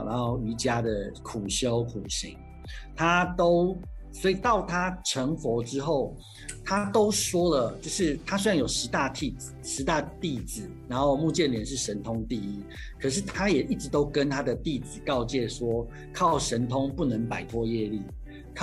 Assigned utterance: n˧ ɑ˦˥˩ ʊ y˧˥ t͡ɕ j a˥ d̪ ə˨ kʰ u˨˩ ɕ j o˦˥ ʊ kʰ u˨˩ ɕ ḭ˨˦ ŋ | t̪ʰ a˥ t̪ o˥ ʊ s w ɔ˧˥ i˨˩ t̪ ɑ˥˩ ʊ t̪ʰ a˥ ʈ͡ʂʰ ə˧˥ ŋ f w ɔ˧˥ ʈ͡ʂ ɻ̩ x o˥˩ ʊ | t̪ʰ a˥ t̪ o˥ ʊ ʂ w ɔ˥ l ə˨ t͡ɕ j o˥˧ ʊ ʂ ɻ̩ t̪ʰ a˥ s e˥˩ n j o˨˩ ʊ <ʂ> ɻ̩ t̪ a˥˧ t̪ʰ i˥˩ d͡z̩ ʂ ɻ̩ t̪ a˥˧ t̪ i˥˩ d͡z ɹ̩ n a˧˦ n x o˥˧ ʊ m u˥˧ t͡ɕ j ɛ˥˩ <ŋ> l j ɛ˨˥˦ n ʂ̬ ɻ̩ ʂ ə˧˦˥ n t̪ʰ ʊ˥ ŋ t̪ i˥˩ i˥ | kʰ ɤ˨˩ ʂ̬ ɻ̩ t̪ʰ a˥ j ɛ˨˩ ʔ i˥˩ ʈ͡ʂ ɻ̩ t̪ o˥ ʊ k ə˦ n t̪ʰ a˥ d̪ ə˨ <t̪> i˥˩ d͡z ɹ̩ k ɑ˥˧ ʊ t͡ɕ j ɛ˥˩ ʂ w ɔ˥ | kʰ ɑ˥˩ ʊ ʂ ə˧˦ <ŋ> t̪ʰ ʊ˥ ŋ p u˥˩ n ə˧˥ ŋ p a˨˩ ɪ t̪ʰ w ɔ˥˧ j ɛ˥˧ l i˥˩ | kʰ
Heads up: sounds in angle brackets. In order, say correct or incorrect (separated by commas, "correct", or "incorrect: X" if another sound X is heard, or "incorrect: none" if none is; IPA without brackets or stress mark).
correct, incorrect: n, correct, incorrect: n